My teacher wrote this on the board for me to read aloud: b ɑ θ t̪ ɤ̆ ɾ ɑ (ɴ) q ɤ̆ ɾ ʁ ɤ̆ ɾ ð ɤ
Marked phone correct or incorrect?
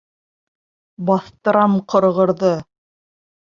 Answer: incorrect